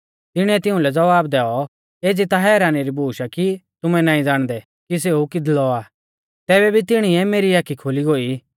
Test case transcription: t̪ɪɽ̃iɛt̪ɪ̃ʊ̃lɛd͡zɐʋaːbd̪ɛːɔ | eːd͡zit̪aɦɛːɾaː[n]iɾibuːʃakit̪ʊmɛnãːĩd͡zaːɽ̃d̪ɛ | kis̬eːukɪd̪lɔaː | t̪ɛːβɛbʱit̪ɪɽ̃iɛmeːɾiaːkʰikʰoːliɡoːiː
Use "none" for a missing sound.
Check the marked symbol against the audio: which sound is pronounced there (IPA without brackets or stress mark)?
n